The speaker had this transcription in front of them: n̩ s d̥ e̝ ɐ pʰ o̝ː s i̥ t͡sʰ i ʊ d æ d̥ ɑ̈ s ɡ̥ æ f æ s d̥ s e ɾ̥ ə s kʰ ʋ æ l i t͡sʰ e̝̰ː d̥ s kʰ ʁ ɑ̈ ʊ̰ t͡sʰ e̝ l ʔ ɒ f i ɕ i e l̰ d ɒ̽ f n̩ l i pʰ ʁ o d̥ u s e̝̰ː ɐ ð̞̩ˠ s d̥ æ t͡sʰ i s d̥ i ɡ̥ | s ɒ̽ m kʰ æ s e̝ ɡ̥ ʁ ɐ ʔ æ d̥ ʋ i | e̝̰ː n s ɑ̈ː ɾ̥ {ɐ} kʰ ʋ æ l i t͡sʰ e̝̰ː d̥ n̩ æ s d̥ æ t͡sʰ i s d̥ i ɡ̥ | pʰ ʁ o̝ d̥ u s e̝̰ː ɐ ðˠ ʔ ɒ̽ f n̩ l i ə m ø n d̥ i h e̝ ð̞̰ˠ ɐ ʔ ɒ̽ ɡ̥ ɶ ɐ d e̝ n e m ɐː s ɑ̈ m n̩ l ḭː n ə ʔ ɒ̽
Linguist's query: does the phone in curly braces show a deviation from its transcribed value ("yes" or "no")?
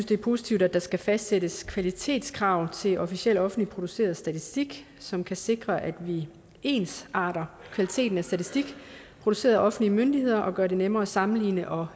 no